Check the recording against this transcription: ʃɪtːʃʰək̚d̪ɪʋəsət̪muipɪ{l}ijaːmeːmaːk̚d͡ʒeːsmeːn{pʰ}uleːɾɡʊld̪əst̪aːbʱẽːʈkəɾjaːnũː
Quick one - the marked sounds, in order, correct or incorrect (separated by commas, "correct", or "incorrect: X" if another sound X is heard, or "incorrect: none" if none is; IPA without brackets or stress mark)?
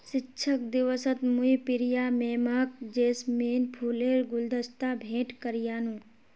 incorrect: ɾ, correct